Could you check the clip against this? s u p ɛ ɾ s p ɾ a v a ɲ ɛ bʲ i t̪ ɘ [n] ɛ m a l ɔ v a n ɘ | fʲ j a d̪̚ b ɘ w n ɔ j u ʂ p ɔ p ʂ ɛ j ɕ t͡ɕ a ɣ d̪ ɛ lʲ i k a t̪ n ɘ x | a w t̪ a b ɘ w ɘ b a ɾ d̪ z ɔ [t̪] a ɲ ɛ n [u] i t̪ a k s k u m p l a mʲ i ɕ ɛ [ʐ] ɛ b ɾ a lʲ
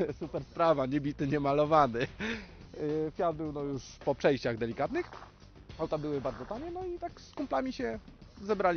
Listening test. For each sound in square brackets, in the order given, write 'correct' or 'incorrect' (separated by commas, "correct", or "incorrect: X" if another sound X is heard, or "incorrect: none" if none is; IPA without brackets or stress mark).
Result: incorrect: ɲ, correct, incorrect: ɔ, incorrect: z